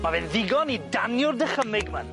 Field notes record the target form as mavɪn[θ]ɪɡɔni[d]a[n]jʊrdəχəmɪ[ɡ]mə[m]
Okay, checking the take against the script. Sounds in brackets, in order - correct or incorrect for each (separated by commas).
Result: incorrect, correct, correct, correct, incorrect